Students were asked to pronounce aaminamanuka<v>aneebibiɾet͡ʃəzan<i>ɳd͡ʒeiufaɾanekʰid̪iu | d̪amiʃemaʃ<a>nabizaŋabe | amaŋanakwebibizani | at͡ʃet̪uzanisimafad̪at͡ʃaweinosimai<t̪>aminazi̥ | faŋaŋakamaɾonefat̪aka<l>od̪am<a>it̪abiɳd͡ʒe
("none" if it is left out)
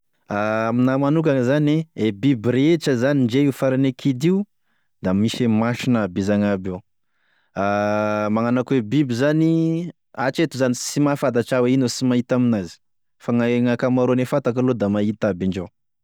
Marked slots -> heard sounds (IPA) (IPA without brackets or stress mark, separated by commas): z, i, i, t̪, l, a